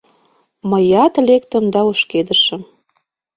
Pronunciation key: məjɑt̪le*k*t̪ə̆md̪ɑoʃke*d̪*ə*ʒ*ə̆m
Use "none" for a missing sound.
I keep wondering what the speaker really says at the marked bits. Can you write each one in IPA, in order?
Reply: k, d̪, ʃ

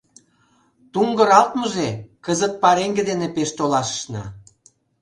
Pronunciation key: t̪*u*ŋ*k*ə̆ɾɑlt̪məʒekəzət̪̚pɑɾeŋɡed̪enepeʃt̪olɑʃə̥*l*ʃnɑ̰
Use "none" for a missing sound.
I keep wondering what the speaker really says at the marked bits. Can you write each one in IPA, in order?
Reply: u, ɡ, none

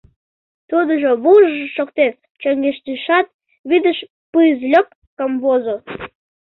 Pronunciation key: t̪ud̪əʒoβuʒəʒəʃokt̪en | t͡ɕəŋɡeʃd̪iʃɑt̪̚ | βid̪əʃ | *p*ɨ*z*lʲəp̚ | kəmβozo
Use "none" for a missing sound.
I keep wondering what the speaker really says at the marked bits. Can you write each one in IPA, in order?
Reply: p, z

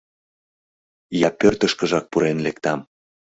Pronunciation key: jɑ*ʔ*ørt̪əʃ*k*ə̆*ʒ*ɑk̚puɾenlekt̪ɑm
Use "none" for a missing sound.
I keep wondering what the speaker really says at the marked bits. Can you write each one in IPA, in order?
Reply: p, k, ʒ

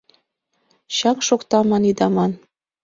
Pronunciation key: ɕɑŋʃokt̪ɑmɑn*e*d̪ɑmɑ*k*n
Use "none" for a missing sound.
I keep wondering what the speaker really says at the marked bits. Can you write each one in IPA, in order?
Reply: i, none

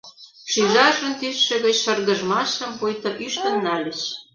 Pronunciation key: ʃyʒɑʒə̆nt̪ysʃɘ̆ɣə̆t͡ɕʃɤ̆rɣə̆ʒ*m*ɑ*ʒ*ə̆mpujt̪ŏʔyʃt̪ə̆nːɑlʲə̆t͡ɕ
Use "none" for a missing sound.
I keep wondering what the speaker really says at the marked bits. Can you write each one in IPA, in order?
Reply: m, ʃ

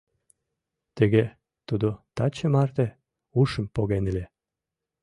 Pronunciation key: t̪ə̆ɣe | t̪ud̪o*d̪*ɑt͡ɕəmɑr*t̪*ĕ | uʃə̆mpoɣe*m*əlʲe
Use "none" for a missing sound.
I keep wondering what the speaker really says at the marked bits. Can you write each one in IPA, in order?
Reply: t̪, t̪, n

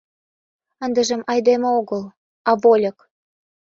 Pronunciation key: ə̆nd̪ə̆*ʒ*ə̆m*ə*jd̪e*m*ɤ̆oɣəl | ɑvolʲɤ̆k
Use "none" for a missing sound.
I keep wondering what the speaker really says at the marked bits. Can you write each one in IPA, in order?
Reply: ʒ, ɑ, m

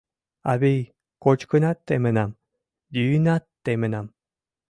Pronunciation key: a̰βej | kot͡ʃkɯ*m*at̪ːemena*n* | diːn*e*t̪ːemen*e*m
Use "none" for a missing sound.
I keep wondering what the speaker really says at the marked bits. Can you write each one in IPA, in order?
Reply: n, m, a, a

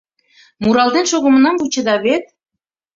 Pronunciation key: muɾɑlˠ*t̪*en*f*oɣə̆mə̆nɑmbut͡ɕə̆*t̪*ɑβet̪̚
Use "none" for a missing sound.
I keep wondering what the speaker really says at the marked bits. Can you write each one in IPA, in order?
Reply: d̪, ʃ, d̪

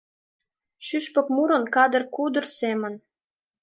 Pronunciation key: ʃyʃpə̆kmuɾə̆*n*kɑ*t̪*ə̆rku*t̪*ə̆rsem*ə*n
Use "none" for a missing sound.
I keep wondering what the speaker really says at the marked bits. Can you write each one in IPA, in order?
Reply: n, d̪, d̪, ə

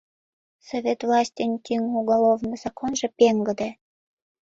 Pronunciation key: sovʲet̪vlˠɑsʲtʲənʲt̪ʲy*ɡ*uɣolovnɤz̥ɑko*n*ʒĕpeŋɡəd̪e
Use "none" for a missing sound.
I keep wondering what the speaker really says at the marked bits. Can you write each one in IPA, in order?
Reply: ŋ, n

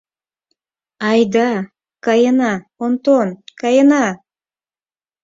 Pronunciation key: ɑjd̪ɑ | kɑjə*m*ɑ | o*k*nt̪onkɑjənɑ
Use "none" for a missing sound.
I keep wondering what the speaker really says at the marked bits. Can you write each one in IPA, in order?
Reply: n, none

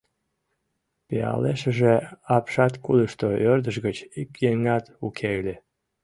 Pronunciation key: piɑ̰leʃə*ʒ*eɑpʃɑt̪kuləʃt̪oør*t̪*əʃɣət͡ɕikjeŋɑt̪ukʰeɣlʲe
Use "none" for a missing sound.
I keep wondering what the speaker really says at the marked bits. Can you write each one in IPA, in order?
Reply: ʒ, d̪

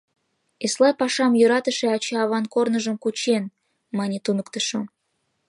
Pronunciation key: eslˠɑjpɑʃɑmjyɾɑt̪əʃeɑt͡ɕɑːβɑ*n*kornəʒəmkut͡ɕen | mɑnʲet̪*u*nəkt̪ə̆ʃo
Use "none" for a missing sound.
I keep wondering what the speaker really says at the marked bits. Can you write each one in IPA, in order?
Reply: n, u

